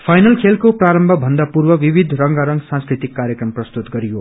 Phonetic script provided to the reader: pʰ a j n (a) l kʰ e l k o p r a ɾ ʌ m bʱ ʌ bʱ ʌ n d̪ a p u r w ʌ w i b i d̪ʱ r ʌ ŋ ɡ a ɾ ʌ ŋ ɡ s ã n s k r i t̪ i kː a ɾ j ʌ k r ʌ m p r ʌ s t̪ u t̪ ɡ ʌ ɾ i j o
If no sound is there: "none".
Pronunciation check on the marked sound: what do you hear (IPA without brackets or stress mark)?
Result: ʌ